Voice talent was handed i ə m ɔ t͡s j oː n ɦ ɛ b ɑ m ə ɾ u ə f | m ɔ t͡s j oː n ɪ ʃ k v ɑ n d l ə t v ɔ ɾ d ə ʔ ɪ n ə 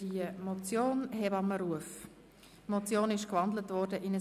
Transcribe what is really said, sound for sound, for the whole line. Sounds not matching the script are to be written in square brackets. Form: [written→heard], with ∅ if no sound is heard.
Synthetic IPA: i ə m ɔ t͡s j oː n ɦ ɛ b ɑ m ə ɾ u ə f | m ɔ t͡s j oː n ɪ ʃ k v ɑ n d l ə t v ɔ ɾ d ə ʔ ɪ n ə